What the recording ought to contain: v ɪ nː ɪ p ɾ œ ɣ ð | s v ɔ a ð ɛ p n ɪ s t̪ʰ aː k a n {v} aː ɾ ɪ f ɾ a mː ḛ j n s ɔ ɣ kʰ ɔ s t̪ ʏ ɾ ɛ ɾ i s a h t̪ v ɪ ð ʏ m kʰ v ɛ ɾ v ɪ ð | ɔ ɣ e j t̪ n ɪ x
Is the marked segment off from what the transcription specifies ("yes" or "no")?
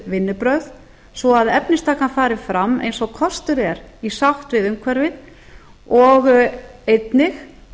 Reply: yes